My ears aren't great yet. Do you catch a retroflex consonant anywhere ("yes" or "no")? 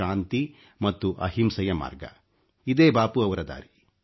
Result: no